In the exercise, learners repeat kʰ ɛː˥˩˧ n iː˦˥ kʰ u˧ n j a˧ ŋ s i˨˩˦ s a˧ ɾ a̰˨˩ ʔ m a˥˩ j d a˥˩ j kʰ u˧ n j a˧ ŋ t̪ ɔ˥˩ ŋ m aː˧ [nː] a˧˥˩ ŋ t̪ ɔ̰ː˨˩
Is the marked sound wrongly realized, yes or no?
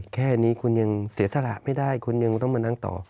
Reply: yes